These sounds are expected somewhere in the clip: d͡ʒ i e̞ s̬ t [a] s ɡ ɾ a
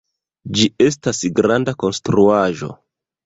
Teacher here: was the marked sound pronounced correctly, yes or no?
yes